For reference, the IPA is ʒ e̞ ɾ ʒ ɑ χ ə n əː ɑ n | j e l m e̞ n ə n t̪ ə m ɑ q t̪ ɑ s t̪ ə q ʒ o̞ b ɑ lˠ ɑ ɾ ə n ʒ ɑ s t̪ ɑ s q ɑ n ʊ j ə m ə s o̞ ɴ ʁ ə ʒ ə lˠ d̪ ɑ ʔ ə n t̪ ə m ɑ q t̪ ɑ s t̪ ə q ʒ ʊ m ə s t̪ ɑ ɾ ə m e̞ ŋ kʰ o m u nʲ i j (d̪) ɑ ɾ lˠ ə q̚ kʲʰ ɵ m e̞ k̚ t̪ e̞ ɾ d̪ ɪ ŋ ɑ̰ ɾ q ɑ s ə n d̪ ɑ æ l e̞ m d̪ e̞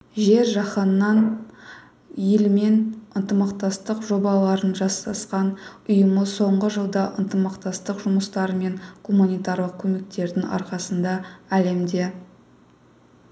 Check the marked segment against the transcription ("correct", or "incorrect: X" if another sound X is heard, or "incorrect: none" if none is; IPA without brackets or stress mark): incorrect: t̪